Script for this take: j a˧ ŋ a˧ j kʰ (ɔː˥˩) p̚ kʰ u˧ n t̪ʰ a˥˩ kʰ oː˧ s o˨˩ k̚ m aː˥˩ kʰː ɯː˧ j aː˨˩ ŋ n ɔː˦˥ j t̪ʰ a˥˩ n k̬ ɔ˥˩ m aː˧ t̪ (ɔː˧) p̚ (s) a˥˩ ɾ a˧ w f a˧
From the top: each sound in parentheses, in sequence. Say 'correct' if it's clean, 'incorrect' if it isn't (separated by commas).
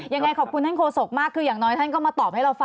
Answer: incorrect, incorrect, incorrect